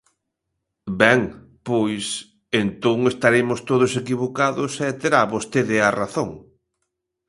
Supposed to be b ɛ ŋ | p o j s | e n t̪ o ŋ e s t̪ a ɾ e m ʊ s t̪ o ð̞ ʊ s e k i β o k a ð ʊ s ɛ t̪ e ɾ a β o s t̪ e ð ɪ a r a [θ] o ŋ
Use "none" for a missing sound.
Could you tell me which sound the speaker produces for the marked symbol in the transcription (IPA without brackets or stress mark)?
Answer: θ